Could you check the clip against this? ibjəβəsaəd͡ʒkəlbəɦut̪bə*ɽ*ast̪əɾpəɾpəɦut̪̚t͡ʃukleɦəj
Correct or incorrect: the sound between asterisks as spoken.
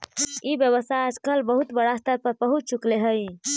correct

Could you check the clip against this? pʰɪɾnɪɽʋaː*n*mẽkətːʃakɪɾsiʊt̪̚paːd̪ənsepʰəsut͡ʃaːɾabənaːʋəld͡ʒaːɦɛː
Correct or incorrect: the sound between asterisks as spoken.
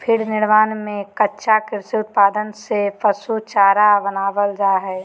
correct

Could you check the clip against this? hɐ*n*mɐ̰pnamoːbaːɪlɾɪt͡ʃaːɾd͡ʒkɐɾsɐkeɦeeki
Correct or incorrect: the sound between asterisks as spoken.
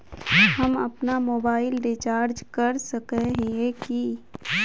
incorrect: none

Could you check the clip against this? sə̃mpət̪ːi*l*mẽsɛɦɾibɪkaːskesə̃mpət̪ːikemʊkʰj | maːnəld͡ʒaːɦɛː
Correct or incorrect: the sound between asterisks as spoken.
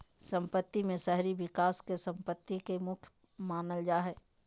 incorrect: none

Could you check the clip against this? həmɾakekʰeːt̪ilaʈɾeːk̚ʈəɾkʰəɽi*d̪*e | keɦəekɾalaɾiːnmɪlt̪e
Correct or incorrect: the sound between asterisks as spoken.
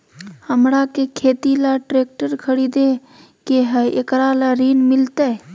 correct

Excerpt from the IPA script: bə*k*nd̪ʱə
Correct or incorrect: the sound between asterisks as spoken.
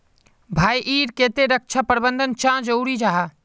incorrect: none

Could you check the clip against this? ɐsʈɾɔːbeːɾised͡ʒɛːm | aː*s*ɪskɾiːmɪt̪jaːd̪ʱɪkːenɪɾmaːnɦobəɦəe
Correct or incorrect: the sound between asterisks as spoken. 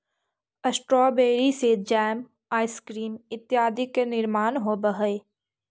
incorrect: none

